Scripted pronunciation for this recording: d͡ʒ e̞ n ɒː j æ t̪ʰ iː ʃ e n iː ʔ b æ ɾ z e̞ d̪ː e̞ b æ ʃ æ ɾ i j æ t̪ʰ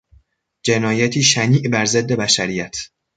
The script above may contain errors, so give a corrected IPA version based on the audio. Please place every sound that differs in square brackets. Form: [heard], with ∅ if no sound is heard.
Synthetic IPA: d͡ʒ e̞ n ɒː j æ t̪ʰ iː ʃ [æ] n iː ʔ b æ ɾ z e̞ d̪ː e̞ b æ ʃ æ ɾ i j æ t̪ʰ